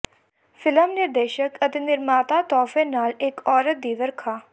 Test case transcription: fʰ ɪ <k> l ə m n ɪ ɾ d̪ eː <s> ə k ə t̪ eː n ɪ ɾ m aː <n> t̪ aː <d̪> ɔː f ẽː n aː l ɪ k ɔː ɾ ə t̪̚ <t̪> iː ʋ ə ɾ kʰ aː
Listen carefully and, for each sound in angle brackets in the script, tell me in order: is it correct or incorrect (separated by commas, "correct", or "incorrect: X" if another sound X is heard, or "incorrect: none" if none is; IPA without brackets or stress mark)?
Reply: incorrect: none, incorrect: ʃ, incorrect: none, incorrect: t̪, incorrect: d̪